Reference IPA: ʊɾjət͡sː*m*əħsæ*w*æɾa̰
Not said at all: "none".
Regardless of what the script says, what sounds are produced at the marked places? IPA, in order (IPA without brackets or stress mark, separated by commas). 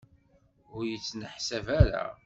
n, v